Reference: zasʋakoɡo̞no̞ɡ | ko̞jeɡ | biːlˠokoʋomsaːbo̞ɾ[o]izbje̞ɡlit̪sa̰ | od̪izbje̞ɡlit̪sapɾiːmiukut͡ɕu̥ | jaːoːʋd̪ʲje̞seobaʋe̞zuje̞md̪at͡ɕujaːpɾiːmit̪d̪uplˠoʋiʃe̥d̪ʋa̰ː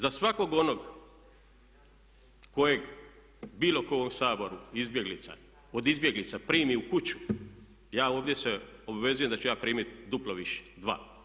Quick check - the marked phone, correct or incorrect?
incorrect